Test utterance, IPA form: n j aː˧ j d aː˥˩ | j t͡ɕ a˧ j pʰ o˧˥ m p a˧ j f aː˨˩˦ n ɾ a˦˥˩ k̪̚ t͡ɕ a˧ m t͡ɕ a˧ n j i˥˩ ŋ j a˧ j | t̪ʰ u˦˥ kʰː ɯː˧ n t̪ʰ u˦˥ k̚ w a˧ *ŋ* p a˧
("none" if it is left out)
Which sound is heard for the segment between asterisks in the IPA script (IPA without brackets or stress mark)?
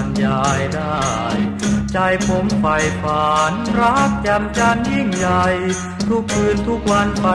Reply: n